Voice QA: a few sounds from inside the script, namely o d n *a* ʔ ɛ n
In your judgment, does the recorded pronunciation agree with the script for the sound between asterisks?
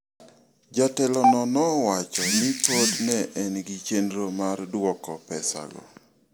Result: no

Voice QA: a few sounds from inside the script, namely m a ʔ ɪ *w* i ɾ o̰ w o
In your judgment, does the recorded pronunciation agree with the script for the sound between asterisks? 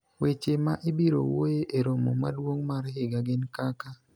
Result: no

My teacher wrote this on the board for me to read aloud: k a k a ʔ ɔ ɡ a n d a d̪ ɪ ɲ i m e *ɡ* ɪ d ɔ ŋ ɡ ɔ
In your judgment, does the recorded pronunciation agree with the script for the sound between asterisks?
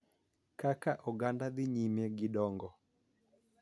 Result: yes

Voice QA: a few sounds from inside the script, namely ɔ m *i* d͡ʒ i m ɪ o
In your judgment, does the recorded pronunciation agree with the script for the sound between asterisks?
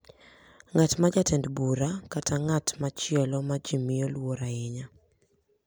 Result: no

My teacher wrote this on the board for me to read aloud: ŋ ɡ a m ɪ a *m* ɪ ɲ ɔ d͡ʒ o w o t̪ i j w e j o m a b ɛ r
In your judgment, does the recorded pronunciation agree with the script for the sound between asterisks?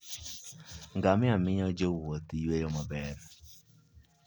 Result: yes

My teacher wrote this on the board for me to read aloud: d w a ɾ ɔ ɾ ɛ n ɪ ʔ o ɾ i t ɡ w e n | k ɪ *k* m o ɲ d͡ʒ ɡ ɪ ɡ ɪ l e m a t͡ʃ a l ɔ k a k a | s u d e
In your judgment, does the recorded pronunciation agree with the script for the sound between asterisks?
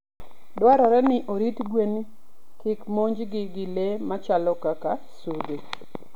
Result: yes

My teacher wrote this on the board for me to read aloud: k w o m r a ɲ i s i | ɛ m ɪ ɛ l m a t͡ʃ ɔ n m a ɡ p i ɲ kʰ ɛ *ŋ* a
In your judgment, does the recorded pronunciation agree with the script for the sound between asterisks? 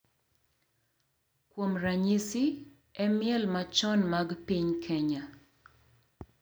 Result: no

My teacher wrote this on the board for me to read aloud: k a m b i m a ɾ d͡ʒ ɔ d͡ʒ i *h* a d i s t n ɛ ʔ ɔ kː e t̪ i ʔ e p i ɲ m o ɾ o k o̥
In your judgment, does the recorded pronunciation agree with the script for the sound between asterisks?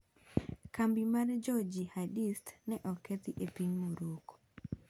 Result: yes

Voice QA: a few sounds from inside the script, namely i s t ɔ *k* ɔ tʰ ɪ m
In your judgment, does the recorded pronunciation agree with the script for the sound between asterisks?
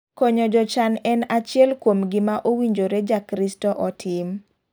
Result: no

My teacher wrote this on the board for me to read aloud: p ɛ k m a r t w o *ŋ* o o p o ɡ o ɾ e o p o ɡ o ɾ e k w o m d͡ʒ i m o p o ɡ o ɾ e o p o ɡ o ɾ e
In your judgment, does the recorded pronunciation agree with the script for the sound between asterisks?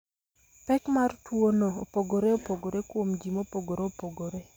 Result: no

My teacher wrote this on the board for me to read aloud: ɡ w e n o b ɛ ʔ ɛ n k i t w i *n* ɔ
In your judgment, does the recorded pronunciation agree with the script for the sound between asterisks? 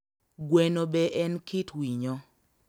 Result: no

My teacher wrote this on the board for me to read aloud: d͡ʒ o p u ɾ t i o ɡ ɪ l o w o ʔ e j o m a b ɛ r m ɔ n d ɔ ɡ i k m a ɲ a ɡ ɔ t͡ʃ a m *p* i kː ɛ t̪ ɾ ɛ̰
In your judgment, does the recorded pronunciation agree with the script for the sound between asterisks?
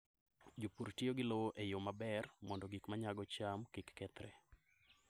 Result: no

